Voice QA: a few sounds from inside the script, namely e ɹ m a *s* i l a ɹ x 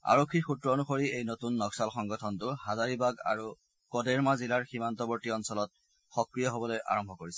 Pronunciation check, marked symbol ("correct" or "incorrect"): incorrect